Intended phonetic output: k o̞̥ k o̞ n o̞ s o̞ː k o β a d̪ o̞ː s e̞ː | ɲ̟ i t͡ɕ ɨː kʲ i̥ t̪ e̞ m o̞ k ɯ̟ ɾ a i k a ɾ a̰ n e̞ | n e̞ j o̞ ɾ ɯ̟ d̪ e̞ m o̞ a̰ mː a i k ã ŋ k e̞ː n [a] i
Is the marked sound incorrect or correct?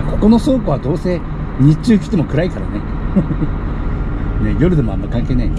correct